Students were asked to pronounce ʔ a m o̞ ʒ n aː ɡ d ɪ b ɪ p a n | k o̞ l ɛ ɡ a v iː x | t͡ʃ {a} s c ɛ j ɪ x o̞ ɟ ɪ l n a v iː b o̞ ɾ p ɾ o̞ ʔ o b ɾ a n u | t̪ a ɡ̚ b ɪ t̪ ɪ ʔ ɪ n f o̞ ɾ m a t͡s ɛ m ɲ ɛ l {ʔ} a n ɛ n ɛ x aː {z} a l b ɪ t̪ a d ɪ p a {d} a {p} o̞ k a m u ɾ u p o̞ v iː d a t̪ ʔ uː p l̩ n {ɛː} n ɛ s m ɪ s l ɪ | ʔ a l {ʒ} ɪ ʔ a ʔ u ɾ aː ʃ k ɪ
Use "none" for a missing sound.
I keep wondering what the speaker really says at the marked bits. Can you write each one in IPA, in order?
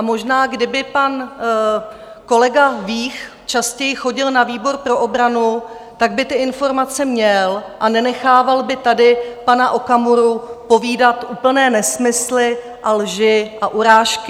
a, ʔ, v, n, ʔ, ɛː, ʒ

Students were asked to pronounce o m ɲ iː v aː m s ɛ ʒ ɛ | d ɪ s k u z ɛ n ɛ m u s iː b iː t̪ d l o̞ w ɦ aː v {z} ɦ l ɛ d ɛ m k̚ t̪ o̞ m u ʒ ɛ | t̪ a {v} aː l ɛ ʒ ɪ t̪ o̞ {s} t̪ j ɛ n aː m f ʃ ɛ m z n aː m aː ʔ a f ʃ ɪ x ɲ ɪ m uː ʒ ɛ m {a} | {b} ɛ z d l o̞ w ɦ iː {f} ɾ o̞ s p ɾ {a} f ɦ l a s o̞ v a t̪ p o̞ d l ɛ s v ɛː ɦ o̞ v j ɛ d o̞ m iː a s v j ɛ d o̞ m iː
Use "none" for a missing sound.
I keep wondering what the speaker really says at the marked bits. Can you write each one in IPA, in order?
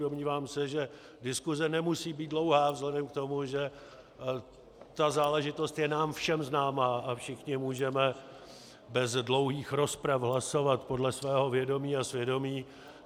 z, z, s, ɛ, b, x, a

